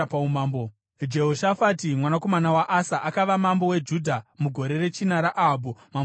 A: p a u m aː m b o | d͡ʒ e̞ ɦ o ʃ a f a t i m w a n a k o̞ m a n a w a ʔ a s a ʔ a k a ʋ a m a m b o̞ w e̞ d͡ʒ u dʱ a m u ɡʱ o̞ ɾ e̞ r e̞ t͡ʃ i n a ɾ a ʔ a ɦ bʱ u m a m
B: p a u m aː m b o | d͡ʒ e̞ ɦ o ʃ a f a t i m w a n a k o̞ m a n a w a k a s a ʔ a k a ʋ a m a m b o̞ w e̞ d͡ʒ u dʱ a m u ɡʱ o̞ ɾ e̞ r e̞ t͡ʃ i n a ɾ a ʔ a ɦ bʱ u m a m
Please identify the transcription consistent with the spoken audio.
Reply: A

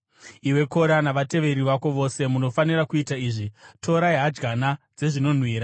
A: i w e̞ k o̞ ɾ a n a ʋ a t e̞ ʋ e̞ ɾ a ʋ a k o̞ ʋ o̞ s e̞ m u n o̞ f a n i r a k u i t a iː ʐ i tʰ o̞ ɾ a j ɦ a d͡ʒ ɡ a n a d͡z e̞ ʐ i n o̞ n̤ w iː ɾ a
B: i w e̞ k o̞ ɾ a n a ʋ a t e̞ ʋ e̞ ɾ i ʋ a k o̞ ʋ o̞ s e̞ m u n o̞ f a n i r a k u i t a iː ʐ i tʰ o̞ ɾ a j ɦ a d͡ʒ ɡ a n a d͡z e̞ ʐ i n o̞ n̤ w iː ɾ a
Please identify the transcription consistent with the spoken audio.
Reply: B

